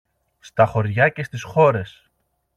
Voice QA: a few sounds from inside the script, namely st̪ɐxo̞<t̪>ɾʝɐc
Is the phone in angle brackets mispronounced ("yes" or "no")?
yes